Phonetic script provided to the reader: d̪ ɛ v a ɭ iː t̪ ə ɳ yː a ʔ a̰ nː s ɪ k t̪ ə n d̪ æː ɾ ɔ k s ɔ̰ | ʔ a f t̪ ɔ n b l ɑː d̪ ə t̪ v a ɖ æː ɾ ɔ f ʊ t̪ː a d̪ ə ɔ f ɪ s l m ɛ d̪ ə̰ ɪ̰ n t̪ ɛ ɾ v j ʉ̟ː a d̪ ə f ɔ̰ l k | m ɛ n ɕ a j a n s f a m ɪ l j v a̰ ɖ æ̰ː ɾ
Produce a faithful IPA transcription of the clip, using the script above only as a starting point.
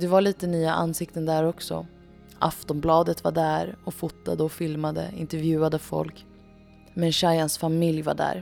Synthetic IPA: d̪ ɛ v a ɭ iː t̪ ə n yː a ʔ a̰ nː s ɪ k t̪ ə n d̪ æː ɾ ɔ k s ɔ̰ | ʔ a f t̪ ɔ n b l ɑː d̪ ə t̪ v a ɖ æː ɾ ɔ f ʊ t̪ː a d̪ ə ɔ f ɪ l m a d̪ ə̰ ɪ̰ n t̪ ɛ ɾ v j ʉ̟ː a d̪ ə f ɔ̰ l k | m ɛ n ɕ a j a n s f a m ɪ l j v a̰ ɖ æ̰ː ɾ